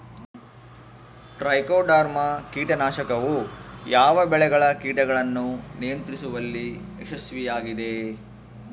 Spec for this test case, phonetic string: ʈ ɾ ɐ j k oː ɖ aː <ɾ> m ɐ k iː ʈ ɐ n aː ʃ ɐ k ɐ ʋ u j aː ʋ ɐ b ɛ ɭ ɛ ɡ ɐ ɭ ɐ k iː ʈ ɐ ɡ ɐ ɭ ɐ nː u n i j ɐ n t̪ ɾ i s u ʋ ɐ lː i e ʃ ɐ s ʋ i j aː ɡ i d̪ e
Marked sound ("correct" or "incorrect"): correct